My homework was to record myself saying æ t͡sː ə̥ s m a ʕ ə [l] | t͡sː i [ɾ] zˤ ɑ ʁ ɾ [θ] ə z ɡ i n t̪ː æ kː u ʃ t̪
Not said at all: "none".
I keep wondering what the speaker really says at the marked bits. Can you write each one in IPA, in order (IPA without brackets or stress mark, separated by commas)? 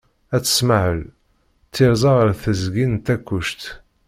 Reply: l, ɾ, θ